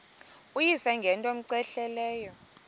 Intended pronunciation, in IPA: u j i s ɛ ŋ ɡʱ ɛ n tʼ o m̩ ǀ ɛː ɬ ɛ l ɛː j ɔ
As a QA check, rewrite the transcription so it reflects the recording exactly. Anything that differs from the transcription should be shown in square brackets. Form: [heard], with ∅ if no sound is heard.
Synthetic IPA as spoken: u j i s ɛ ŋ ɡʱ ɛ n tʼ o m̩ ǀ [ɛ] ɬ ɛ l ɛː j ɔ